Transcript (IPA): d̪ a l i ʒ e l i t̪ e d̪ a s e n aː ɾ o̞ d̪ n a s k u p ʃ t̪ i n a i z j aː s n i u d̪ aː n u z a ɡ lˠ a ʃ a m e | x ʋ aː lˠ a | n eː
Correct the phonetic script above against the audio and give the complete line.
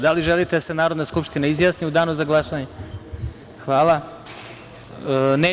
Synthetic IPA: d̪ a l i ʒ e l i t̪ e d̪ a s e n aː ɾ o̞ d̪ n a s k u p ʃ t̪ i n a i z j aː s n i u d̪ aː n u z a ɡ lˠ a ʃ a ɲ e | x ʋ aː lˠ a | n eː